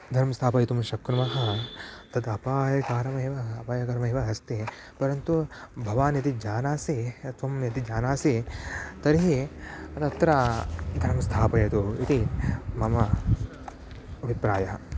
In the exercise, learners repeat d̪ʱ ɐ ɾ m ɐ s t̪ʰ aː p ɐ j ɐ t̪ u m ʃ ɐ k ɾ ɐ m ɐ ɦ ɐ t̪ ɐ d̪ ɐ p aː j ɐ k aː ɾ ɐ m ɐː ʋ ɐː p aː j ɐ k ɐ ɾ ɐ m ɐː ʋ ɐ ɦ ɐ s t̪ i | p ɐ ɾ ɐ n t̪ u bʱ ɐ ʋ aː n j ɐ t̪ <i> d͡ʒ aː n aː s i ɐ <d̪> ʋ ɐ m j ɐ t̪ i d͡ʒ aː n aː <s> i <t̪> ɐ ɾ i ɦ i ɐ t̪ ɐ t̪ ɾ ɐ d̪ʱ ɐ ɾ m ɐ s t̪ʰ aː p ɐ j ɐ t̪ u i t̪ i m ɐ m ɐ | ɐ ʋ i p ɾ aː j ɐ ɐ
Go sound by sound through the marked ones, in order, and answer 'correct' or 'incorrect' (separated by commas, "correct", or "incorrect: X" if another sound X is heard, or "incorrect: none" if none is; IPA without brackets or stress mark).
correct, incorrect: t̪, correct, correct